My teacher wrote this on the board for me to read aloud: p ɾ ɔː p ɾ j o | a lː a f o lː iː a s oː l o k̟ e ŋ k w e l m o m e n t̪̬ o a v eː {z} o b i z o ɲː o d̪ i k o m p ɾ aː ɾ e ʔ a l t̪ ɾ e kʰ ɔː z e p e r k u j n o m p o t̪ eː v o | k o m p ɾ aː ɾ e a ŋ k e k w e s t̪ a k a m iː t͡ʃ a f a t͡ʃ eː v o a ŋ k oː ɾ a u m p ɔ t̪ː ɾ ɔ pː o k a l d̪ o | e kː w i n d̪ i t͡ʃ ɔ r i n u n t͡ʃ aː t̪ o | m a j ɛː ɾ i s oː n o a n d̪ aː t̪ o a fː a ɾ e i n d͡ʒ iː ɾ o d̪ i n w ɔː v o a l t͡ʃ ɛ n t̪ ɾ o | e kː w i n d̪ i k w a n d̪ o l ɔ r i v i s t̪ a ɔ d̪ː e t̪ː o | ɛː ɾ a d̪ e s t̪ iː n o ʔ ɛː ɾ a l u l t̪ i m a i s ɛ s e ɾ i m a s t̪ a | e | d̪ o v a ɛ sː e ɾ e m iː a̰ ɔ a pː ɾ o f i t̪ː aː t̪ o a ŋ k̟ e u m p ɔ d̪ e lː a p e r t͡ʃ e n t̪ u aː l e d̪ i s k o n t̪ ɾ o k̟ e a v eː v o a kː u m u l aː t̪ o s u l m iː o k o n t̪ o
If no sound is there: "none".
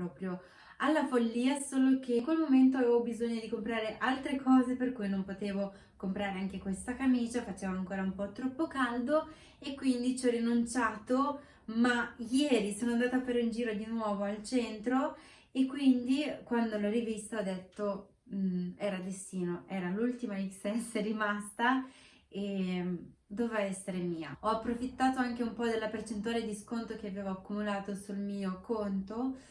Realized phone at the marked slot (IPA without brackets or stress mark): v